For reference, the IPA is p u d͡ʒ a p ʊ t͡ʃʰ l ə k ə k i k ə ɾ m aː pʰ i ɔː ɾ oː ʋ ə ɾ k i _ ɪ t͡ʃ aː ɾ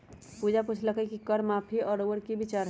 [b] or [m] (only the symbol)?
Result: b